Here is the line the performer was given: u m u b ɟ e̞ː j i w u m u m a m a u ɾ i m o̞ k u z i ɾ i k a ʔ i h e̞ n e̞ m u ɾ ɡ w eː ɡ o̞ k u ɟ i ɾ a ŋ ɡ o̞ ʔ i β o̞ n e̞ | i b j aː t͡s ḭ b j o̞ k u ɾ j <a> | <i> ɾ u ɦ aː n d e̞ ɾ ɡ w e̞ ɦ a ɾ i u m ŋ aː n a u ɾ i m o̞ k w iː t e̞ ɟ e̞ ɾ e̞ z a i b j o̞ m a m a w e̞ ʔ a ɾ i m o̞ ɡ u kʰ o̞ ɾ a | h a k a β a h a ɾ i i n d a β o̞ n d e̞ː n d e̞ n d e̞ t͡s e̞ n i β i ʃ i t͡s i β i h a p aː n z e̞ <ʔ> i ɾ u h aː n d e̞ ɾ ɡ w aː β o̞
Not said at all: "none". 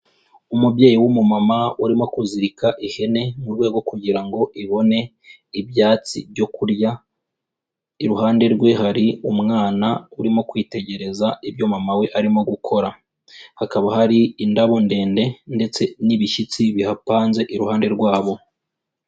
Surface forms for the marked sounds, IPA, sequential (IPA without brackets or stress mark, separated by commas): a, i, ʔ